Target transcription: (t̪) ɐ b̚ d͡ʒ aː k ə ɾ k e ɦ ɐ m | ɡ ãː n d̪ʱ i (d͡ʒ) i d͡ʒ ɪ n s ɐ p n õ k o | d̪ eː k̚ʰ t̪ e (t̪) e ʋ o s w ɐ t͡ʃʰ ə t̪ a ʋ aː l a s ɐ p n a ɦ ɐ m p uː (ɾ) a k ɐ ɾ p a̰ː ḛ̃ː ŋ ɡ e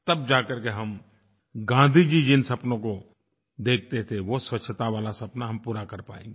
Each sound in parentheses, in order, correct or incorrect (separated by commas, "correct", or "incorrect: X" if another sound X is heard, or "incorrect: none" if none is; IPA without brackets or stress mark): correct, correct, incorrect: t̪ʰ, correct